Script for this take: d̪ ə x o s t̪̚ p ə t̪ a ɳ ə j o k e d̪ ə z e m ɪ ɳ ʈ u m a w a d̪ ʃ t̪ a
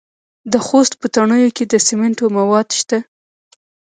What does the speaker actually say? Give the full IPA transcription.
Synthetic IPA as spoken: d̪ ə x o s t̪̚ p ə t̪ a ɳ ə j o k e d̪ ə s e m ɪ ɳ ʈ o m a w ɑ d̪ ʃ t̪ a